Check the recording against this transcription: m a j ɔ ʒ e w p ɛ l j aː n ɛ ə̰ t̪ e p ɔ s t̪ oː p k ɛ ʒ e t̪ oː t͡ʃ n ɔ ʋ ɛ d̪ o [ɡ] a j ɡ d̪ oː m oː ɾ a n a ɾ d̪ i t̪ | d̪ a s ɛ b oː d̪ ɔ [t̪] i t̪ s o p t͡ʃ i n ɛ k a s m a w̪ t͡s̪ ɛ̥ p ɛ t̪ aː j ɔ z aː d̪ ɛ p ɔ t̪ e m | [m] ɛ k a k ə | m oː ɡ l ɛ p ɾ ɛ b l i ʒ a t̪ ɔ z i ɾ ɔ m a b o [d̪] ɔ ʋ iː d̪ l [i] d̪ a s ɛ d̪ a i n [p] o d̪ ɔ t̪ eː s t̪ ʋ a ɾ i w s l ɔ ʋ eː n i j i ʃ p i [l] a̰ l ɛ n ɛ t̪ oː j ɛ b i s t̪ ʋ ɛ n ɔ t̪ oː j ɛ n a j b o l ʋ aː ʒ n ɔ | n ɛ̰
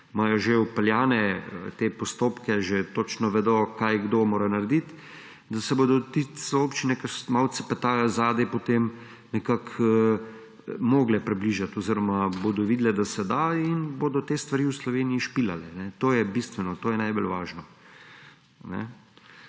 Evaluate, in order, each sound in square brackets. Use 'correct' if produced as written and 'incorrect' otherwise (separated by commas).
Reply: incorrect, correct, incorrect, correct, incorrect, incorrect, correct